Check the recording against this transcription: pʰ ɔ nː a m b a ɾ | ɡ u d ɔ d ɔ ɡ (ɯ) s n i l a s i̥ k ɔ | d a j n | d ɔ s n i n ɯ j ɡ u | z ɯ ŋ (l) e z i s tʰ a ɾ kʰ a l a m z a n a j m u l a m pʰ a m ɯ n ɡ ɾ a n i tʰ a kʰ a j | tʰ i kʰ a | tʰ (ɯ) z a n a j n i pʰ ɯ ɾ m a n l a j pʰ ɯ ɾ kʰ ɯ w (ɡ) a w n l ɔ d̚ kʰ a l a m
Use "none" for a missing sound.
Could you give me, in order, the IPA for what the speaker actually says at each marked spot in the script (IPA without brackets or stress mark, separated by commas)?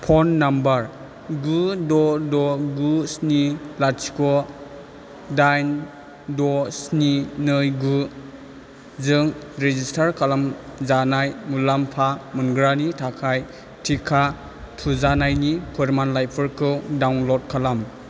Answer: u, ɾ, u, d